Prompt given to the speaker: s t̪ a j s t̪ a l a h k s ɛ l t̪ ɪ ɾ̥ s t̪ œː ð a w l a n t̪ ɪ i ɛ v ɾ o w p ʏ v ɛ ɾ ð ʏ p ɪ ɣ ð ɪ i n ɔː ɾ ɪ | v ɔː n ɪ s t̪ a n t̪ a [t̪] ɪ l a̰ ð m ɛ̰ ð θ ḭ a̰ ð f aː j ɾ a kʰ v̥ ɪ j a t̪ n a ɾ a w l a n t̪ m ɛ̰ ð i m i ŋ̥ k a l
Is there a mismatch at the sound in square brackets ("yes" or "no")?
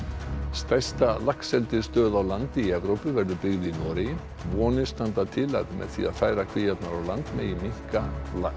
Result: yes